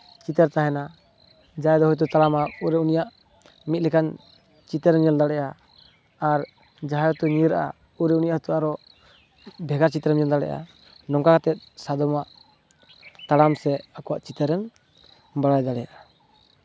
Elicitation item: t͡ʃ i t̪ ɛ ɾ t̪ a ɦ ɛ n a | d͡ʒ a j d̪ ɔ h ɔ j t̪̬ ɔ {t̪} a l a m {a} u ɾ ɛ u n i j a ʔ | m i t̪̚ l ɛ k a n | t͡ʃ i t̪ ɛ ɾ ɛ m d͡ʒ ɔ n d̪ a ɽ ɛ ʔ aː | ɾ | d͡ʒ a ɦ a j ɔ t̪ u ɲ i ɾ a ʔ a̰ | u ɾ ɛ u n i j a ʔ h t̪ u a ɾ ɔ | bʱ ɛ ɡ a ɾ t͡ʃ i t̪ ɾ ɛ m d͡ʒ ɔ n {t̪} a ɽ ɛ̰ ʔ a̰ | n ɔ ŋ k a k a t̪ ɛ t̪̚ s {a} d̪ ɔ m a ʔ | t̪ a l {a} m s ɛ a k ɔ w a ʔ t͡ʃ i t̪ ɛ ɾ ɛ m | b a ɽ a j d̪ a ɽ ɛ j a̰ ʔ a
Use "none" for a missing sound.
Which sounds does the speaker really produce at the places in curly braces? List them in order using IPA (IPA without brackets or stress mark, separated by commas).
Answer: t̪, a, d̪, a, a